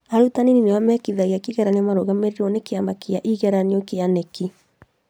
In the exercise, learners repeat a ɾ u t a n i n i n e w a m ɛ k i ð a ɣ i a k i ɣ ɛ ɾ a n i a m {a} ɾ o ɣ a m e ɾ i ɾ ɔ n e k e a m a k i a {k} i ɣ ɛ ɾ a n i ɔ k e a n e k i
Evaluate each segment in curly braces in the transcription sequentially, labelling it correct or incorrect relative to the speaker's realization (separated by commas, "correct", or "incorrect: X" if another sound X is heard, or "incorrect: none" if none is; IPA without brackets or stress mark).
correct, incorrect: ʔ